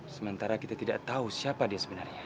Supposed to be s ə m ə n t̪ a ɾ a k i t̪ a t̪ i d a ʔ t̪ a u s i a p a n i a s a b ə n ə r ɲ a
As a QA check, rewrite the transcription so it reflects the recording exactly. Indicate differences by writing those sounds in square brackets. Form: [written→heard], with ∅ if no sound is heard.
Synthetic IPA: s ə m ə n t̪ a ɾ a k i t̪ a t̪ i d a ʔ t̪ a u s i a p a [n→d] i a s [a→ə] b ə n [ə→a] r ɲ a

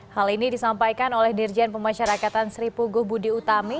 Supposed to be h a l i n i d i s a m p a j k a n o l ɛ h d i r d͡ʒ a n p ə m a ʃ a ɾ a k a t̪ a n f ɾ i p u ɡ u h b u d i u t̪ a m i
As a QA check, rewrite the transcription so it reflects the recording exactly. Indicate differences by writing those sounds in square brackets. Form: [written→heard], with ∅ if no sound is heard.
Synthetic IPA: h a l i n i d i s a m p a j k a n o l ɛ h d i r d͡ʒ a n p ə m a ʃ a ɾ a k a t̪ a n [f→s] ɾ i p u ɡ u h b u d i u t̪ a m i

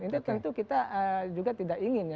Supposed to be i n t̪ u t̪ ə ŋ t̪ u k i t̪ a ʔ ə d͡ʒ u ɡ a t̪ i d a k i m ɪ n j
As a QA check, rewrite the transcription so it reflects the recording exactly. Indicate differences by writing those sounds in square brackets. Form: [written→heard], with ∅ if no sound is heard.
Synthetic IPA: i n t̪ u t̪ ə [ŋ→n] t̪ u k i t̪ a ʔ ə d͡ʒ u ɡ a t̪ i d a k i [m→ŋ] ɪ n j

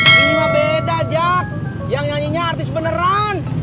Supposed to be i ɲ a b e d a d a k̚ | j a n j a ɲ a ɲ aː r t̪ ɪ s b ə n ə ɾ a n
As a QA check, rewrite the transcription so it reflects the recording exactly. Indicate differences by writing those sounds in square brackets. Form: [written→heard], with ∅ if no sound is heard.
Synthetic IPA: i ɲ a b e d a [d→d͡ʒ] a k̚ | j a [n→ŋ] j a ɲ [a→i] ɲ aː r t̪ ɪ s b ə n ə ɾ a n

